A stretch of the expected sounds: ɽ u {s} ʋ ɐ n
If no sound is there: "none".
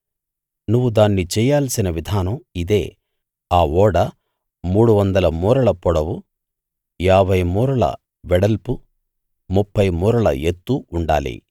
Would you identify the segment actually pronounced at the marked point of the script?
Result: none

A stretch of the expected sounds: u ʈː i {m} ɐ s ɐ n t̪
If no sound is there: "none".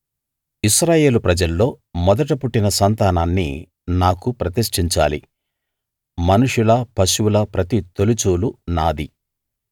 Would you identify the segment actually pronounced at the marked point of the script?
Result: n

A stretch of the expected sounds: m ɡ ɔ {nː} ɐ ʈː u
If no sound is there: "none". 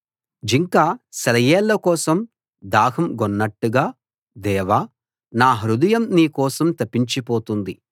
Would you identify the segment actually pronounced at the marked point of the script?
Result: nː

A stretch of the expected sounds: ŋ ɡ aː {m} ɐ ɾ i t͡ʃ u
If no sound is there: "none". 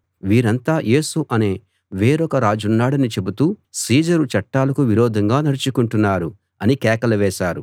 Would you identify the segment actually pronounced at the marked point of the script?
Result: n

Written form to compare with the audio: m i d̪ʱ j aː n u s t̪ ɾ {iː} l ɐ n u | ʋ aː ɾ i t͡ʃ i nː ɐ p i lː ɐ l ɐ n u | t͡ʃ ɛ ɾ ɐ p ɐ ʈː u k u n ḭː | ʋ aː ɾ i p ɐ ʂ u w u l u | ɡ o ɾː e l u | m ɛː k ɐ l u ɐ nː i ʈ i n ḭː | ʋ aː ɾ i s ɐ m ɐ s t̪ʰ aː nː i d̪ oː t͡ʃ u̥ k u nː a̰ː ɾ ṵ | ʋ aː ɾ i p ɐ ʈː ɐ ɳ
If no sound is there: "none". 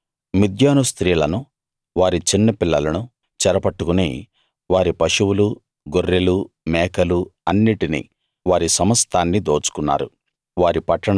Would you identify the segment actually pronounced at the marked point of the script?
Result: iː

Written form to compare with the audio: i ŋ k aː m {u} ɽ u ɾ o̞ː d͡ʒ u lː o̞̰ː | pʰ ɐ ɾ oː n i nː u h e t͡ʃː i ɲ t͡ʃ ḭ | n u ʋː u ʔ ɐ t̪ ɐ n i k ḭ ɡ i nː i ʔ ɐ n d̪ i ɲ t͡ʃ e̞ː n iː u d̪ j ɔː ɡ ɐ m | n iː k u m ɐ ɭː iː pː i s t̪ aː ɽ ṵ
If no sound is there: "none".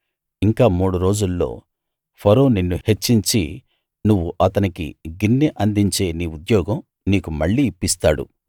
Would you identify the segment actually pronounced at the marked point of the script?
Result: uː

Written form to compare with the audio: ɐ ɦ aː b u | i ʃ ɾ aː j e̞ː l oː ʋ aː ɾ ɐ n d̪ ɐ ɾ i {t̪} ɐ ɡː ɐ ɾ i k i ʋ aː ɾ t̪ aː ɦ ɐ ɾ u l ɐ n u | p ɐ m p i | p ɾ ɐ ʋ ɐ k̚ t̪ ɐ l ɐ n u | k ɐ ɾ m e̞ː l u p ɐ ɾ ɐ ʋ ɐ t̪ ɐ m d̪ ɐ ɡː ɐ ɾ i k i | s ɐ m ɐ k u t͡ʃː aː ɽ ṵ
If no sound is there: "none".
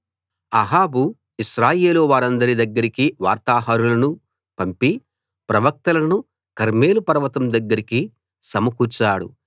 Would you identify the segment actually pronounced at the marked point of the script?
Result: d̪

